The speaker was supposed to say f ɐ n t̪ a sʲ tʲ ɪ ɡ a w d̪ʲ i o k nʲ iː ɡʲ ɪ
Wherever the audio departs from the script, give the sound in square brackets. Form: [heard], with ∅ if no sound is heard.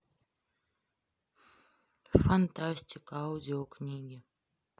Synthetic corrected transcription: f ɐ n t̪ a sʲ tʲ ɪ [k] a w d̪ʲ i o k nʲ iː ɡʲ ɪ